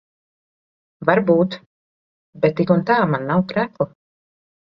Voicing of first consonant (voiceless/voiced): voiced